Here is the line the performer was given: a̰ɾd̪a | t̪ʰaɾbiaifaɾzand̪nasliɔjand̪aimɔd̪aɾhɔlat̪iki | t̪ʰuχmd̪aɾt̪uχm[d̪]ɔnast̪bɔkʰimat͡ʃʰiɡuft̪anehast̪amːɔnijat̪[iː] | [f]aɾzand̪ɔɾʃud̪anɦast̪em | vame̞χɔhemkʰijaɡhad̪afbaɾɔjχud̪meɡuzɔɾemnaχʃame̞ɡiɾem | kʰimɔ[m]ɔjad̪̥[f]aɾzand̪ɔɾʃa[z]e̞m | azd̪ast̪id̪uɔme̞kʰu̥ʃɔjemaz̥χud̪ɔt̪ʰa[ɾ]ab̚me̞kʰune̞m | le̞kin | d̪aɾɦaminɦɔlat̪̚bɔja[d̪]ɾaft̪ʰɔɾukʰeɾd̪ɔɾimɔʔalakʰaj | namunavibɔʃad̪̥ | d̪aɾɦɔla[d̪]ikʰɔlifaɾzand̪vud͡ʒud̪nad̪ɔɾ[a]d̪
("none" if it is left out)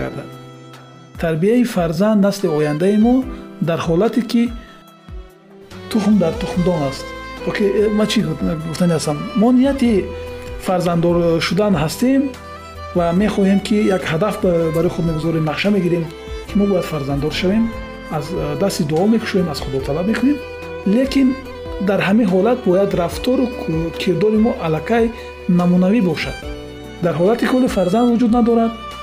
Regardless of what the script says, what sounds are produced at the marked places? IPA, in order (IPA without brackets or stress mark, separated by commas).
d̪, i, f, b, f, v, l, d̪, t̪, a